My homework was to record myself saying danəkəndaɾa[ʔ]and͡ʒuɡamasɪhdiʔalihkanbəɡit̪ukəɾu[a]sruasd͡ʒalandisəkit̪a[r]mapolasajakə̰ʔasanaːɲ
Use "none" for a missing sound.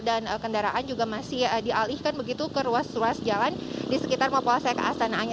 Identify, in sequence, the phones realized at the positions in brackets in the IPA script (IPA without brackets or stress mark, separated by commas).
ʔ, a, r